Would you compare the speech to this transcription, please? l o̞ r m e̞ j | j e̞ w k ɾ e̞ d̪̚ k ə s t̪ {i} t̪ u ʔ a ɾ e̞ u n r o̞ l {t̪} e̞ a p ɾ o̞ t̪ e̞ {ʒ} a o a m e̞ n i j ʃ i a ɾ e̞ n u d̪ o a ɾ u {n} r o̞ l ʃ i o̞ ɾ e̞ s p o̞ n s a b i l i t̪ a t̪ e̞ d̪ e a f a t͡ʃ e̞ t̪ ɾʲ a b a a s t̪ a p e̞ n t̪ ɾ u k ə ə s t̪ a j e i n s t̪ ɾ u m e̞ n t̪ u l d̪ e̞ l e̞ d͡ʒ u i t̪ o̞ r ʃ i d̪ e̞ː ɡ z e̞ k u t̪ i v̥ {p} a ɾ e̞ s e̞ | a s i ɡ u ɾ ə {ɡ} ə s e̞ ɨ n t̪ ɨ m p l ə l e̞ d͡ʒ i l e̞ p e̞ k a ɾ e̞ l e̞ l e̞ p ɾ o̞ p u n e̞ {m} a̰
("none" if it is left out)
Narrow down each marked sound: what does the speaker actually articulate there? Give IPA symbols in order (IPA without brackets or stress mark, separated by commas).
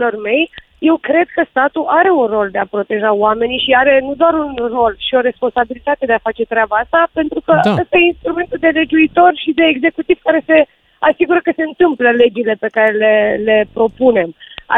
a, d̪, ʒ, n, k, k, m